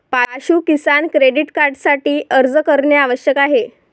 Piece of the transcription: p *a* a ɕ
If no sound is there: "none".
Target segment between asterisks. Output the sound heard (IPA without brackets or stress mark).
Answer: a